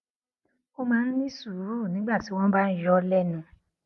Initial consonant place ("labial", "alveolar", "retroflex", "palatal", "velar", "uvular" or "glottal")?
labial